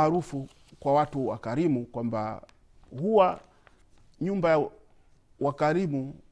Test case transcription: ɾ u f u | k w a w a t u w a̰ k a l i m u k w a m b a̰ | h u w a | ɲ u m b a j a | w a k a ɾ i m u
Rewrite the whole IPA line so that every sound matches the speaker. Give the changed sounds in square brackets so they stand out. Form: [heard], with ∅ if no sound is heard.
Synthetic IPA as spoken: ɾ u f u | k w a w a t u w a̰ k a [ɾ] i m u k w a m b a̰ | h u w a | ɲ u m b a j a | w a k a ɾ i m u